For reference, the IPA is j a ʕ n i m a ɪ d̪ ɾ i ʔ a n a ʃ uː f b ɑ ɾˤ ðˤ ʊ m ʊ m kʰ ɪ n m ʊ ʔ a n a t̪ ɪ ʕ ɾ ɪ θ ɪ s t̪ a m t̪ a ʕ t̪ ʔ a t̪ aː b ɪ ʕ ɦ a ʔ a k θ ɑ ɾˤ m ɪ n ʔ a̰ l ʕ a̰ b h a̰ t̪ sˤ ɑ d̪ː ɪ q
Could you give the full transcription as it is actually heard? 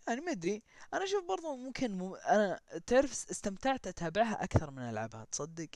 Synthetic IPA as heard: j a ʕ n i m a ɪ d̪ ɾ i ʔ a n a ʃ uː f b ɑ ɾˤ ðˤ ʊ m ʊ m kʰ ɪ n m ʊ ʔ a n a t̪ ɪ ʕ ɾ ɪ f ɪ s t̪ a m t̪ a ʕ t̪ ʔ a t̪ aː b ɪ ʕ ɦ a ʔ a k θ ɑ ɾˤ m ɪ n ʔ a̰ l ʕ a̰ b h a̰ t̪ sˤ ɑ d̪ː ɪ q